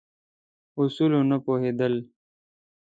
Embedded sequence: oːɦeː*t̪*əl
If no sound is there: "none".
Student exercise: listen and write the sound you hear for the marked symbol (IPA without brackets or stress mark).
d̪